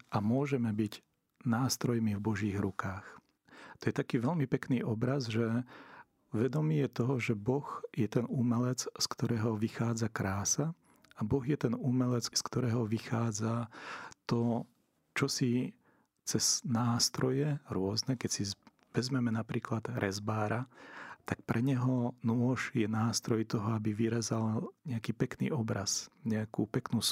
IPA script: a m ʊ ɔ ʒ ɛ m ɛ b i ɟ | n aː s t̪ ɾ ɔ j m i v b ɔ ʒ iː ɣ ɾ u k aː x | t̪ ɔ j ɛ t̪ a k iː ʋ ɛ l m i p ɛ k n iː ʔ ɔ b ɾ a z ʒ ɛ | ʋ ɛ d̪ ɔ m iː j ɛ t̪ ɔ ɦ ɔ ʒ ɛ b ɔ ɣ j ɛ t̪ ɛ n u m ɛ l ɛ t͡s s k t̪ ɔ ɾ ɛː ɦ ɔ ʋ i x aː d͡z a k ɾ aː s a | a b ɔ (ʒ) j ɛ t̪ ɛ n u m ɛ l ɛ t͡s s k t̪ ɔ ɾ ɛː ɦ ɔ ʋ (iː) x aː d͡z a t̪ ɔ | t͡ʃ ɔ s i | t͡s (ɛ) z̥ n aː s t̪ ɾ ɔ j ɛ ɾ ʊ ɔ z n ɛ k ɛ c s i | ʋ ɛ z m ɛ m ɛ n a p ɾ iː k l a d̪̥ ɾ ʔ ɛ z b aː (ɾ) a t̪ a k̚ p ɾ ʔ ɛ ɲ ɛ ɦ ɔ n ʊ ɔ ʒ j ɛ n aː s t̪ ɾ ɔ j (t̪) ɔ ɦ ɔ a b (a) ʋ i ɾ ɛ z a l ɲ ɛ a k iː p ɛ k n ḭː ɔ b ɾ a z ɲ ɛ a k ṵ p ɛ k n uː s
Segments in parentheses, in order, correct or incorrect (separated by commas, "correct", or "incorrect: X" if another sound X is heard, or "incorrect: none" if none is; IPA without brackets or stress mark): incorrect: ɣ, incorrect: i, correct, correct, correct, incorrect: i